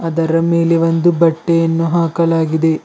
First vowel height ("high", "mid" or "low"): low